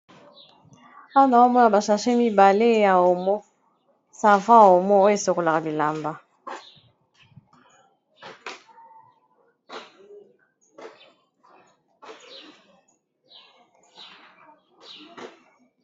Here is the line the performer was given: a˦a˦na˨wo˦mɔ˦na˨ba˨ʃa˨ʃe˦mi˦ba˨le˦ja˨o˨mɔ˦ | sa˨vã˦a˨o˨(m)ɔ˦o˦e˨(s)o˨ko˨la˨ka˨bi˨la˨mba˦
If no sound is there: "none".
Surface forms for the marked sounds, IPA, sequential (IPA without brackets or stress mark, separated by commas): m, s